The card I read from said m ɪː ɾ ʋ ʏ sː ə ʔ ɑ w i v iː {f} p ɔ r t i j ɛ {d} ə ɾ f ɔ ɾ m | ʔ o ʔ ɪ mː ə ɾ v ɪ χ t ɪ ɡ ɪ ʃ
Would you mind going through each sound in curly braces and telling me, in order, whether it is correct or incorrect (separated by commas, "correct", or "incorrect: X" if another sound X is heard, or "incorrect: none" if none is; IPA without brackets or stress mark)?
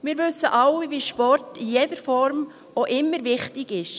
incorrect: ʃ, correct